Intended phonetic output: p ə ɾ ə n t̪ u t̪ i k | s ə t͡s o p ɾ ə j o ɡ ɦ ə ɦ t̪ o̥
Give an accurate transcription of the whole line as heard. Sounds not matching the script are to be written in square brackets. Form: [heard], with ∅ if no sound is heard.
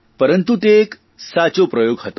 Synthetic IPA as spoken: p ə ɾ ə n t̪ u t̪ [e] k | s [a] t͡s o p ɾ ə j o ɡ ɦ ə [∅] t̪ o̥